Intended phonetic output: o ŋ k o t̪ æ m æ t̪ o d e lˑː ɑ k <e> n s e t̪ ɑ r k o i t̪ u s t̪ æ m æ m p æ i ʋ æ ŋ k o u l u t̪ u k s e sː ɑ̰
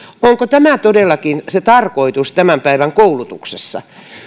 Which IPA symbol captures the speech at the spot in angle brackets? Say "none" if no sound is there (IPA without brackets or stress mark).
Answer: i